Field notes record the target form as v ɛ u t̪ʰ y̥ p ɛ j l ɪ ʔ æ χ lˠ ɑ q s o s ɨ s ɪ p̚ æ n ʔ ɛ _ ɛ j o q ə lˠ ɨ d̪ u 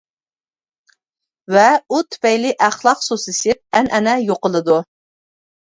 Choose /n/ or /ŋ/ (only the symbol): n